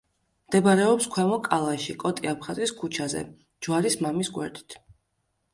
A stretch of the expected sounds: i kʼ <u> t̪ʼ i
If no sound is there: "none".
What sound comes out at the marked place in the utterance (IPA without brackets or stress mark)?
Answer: ɔ